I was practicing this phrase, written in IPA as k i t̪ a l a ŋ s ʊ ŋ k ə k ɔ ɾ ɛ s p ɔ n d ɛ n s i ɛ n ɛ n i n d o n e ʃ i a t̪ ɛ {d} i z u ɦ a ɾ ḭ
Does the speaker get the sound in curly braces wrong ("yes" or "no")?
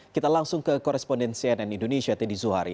no